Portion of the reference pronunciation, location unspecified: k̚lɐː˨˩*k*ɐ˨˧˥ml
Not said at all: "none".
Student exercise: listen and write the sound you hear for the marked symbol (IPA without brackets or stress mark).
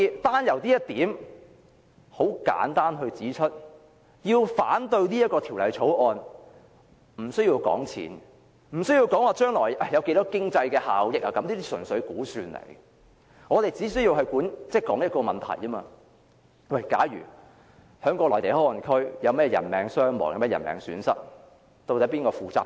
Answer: k